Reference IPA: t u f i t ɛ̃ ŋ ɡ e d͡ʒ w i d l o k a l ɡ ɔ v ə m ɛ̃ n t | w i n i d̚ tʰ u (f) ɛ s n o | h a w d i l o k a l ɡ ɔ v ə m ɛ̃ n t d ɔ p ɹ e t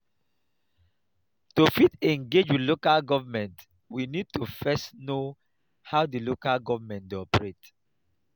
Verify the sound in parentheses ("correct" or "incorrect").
correct